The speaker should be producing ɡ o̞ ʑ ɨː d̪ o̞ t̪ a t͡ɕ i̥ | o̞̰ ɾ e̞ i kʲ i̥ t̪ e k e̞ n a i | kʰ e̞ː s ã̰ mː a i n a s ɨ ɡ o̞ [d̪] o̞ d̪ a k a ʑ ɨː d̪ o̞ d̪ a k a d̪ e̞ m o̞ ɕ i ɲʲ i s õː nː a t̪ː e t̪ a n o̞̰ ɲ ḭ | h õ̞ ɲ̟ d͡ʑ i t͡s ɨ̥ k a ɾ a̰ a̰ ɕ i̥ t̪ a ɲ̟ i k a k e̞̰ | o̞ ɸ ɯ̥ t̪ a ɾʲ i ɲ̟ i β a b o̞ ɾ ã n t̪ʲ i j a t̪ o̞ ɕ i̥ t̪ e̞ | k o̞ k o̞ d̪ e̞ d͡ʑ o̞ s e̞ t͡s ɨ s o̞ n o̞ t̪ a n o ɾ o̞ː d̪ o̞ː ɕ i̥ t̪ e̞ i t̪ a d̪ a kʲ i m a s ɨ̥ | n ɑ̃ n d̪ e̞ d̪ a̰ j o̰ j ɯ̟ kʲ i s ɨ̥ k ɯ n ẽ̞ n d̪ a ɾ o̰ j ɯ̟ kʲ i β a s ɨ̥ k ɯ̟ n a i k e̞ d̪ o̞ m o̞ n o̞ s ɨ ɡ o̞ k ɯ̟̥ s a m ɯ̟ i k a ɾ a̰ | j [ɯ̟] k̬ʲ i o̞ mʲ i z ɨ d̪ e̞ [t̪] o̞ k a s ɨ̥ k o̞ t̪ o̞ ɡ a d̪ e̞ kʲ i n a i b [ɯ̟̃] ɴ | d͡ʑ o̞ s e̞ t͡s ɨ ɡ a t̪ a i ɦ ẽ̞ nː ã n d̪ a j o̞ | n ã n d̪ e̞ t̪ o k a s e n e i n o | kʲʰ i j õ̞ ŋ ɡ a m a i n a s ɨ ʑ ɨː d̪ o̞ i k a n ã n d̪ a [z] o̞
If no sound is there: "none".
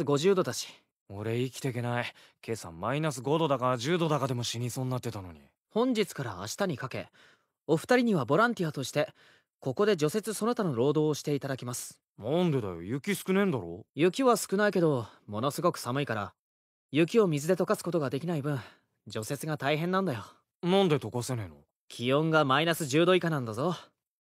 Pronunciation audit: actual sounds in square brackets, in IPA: d̪, ɯ̟, t̪, ɯ̟̃, z

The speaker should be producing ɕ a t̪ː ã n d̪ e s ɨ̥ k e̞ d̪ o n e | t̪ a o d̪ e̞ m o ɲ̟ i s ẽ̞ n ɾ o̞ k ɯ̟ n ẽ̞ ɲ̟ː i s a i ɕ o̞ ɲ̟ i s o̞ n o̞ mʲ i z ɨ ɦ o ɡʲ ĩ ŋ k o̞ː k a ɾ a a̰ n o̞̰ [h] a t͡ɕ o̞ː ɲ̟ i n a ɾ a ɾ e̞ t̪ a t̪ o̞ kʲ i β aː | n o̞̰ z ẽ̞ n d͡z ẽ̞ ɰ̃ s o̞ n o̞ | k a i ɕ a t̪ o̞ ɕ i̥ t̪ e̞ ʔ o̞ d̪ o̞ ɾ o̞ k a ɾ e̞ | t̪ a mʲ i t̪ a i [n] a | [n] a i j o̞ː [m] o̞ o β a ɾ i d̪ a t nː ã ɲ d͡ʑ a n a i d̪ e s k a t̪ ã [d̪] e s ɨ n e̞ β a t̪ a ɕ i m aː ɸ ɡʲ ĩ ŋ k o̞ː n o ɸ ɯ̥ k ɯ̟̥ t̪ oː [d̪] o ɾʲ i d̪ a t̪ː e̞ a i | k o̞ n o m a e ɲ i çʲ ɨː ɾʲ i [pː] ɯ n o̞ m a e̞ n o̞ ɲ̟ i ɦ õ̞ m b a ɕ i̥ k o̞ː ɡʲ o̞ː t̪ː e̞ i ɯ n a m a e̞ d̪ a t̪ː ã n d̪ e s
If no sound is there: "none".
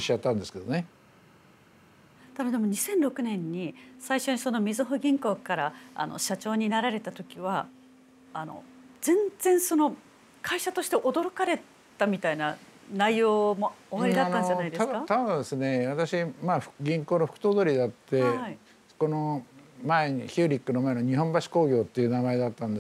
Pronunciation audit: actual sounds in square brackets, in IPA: ɕ, n, n, m, d̪, d̪, kː

